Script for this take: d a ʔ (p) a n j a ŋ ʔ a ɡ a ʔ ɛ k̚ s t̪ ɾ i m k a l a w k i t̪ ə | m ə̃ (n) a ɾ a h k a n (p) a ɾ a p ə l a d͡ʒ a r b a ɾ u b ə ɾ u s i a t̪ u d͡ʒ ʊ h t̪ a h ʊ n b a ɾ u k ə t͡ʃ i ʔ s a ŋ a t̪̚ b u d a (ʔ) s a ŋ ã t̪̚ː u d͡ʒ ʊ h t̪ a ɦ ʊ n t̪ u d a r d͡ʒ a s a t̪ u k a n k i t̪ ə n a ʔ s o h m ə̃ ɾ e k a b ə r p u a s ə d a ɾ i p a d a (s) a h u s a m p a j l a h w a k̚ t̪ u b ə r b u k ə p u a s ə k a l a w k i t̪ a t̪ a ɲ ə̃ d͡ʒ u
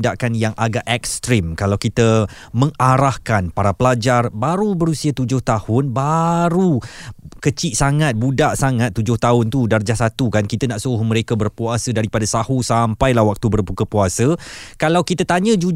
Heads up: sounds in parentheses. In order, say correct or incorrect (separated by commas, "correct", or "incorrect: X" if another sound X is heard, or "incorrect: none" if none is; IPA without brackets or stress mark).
incorrect: k, incorrect: ŋ, correct, correct, correct